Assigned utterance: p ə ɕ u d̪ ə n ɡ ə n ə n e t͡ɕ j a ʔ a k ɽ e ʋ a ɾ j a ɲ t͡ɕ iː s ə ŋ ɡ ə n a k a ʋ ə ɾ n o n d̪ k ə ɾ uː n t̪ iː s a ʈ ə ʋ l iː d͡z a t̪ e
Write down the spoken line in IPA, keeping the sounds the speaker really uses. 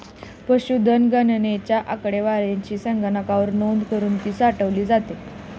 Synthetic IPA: p ə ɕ u d̪ ə n ɡ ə n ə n e t͡ɕ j a ʔ a k ɽ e ʋ a ɾ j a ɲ t͡ɕ iː s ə ŋ ɡ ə n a k a ʋ ə ɾ n o n d̪ k ə ɾ uː n t̪ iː s a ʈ ə ʋ l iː d͡z a t̪ e